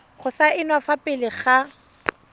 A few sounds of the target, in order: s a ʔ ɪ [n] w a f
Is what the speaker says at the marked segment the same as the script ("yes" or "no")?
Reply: yes